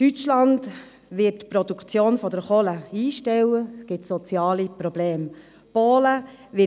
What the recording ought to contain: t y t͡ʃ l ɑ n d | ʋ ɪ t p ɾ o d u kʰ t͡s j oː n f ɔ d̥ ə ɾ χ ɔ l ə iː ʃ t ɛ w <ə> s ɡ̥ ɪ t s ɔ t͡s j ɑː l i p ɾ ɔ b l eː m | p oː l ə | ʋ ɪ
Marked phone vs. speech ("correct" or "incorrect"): correct